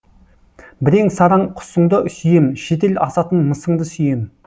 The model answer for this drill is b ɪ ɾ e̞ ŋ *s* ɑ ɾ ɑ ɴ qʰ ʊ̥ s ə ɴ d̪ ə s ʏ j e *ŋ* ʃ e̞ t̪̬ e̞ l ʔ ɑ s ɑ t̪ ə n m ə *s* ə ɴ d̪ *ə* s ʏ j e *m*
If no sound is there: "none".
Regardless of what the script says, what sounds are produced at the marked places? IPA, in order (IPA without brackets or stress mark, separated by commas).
s, m, s, ə, m